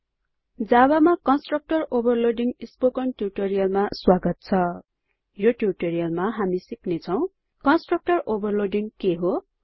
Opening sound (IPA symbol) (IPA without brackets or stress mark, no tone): d͡z